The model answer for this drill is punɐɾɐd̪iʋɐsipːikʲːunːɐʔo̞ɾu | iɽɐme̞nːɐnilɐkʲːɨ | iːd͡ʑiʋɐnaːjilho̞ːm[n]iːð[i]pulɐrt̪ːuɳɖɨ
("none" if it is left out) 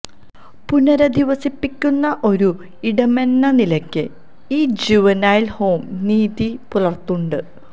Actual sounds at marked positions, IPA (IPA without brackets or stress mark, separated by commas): n, i